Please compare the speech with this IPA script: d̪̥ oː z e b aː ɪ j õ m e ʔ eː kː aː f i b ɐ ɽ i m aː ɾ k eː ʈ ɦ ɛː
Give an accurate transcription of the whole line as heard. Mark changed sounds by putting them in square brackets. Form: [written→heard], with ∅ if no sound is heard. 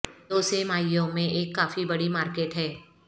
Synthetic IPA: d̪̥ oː [z→s] e [b→m] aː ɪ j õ m [e→ẽ] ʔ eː kː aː f i b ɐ ɽ i m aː ɾ k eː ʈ ɦ ɛː